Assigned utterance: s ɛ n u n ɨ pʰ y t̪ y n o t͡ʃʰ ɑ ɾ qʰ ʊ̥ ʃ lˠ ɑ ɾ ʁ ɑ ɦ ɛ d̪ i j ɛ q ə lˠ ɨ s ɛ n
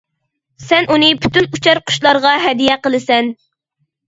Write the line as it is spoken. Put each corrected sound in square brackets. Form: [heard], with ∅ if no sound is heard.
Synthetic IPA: s ɛ n u n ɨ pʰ y t̪ y n [u] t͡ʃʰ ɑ ɾ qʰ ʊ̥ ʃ lˠ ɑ ɾ ʁ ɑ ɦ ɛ d̪ i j ɛ q ə lˠ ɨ s ɛ n